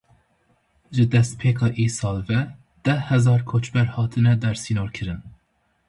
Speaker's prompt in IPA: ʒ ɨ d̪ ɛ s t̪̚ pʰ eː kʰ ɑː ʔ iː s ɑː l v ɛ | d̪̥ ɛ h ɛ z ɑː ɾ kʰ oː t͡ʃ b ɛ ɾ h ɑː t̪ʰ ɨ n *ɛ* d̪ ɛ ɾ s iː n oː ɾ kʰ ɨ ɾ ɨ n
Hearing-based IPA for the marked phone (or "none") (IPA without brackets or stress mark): ɛ